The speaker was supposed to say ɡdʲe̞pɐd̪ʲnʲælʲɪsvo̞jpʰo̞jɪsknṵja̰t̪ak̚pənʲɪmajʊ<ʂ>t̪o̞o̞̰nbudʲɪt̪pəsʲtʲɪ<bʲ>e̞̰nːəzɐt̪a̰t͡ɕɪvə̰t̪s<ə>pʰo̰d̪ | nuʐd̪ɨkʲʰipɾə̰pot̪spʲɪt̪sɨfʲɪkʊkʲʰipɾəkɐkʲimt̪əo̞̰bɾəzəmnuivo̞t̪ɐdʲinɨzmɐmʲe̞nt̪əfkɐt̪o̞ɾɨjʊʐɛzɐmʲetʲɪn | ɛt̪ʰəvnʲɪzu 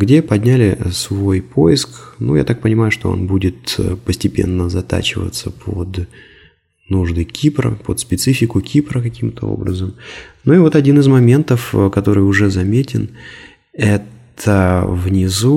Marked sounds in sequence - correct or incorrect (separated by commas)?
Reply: correct, incorrect, correct